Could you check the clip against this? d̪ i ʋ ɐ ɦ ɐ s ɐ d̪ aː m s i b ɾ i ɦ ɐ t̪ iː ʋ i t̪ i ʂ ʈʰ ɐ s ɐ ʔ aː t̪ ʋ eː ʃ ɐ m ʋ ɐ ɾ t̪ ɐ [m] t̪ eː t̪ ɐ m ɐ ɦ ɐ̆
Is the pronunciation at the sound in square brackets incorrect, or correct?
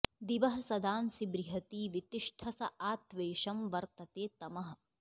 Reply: incorrect